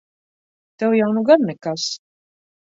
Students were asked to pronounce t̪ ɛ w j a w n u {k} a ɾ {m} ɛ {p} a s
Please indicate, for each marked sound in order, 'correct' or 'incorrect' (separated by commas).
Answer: incorrect, incorrect, incorrect